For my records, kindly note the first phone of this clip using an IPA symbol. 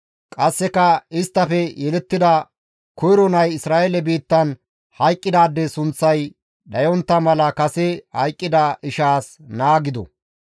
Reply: kʼ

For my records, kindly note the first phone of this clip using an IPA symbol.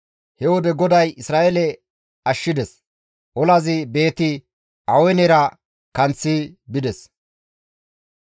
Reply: h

